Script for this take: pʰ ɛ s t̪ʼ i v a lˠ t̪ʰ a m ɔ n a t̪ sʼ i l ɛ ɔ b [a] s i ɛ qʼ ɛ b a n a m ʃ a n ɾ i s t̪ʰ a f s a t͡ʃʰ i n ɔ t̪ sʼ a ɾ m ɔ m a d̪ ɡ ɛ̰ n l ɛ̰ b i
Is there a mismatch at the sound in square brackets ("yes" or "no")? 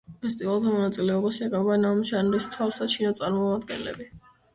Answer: no